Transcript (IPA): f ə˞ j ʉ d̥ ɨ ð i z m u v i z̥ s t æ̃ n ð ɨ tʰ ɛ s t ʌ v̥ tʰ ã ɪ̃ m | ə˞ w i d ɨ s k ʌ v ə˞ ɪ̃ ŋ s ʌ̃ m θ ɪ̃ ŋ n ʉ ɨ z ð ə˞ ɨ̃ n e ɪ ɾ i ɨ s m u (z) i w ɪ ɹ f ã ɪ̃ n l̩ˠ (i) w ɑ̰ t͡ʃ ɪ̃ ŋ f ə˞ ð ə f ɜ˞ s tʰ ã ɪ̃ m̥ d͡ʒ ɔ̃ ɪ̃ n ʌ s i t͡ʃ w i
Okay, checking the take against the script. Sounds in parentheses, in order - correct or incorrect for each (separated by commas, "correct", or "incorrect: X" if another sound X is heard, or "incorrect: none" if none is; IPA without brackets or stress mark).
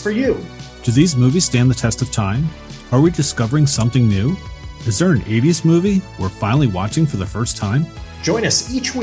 incorrect: v, correct